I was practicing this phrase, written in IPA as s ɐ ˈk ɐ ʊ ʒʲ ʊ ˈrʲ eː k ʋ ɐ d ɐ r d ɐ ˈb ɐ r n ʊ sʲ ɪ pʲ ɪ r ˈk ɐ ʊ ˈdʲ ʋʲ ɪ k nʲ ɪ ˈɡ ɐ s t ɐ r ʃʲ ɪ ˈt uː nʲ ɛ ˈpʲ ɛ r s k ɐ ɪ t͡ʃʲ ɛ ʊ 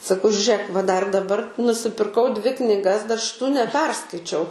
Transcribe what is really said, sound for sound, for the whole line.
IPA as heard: s ɐ ˈk ɐ ʊ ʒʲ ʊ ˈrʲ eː k ʋ ɐ d ɐ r d ɐ ˈb ɐ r n ʊ sʲ ɪ pʲ ɪ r ˈk ɐ ʊ ˈdʲ ʋʲ ɪ k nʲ ɪ ˈɡ ɐ s d ɐ r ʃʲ ɪ ˈt uː nʲ ɛ ˈpʲ ɛ r s k ɐ ɪ t͡ʃʲ ɛ ʊ